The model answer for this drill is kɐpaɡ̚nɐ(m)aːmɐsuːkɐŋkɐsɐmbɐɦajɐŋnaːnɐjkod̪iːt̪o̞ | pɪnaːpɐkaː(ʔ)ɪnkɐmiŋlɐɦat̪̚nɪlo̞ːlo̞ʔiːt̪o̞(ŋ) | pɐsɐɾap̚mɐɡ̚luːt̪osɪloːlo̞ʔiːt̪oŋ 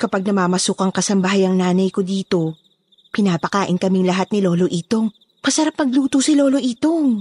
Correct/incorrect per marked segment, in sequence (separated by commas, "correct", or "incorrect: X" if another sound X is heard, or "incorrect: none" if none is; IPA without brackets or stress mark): correct, correct, correct